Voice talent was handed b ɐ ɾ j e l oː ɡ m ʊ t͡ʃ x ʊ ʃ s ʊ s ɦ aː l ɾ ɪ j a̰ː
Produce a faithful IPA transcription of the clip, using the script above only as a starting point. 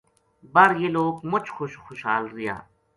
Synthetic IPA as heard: b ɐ ɾ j e l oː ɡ m ʊ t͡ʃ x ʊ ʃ x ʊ ʃ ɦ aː l ɾ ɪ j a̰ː